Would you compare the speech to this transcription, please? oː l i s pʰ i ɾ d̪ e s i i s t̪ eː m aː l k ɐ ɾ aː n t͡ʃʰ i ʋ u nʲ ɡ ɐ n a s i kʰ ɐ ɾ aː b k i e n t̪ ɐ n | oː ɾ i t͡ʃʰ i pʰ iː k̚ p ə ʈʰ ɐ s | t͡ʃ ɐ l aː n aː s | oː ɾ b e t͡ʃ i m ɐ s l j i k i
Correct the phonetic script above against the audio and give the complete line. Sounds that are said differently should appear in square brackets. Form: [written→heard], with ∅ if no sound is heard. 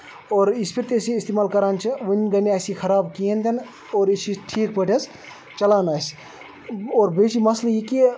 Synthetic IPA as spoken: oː [l→ɾ] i s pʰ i ɾ [d̪→t̪] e s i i s t̪ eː m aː l k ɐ ɾ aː n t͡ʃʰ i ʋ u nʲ ɡ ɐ n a s i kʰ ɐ ɾ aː b k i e n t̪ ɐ n | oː ɾ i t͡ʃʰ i [pʰ→ʈʰ] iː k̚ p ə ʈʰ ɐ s | t͡ʃ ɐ l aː n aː s | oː ɾ b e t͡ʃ i m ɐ s l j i k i